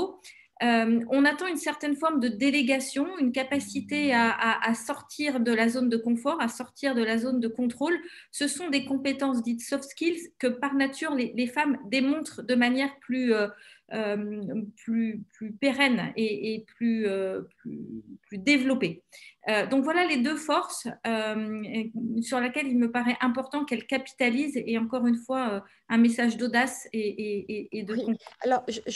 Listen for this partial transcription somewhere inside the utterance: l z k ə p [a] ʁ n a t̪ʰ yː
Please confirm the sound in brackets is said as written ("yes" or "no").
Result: yes